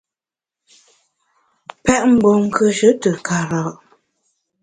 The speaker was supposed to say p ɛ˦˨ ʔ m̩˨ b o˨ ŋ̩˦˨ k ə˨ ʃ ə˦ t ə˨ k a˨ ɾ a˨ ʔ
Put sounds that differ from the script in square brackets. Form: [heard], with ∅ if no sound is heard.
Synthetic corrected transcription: p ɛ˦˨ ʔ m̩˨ b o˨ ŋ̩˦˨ k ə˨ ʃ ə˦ t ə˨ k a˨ ɾ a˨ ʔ